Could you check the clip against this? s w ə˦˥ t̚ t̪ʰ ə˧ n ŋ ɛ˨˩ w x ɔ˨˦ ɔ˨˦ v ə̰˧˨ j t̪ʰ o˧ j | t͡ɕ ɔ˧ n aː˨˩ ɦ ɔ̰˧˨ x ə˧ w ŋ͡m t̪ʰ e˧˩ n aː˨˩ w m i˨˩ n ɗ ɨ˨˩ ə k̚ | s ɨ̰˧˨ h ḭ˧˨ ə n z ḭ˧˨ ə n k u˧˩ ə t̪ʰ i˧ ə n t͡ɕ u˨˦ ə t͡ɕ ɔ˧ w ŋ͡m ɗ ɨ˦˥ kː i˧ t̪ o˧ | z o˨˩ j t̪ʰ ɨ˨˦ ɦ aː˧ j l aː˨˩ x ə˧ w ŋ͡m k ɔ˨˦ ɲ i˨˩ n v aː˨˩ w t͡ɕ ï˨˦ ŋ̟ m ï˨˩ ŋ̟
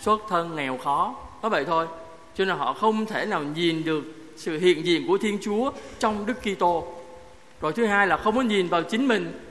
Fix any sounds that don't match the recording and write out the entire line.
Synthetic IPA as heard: s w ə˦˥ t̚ t̪ʰ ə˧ n ŋ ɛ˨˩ w x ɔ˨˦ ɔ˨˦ v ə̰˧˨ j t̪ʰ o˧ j | t͡ɕ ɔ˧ n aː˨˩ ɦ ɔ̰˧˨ x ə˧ w ŋ͡m t̪ʰ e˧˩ n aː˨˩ w ɲ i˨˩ n ɗ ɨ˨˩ ə k̚ | s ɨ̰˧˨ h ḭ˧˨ ə n z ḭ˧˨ ə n k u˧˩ ə t̪ʰ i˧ ə n t͡ɕ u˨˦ ə t͡ɕ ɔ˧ w ŋ͡m ɗ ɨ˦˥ kː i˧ t̪ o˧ | z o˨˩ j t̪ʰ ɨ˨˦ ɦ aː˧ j l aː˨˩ x ə˧ w ŋ͡m k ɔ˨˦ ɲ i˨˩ n v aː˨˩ w t͡ɕ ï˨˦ ŋ̟ m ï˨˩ ŋ̟